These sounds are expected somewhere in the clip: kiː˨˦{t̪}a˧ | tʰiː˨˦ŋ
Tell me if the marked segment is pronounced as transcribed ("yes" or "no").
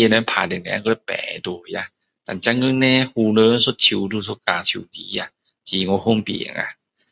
no